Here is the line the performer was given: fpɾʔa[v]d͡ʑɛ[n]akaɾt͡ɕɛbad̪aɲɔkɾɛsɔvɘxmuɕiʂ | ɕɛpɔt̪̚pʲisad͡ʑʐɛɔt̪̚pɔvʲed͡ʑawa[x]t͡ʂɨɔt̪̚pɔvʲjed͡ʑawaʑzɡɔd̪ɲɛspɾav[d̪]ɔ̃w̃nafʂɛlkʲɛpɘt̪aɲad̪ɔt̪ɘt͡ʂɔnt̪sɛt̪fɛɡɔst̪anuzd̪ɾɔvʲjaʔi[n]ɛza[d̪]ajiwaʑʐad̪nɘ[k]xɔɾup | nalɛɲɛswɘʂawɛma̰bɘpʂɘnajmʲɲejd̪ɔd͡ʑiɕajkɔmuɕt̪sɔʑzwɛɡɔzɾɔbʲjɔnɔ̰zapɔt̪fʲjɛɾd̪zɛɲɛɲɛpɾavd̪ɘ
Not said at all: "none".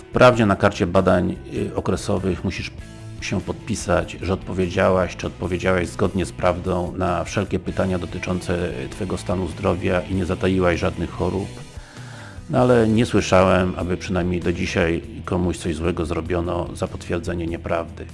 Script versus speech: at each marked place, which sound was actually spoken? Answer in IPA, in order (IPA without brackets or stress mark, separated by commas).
v, n, ɕ, d̪, ɲ, t̪, x